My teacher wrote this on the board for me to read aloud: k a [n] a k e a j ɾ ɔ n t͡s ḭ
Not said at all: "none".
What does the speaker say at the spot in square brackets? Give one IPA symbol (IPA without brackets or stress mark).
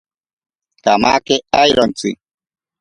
m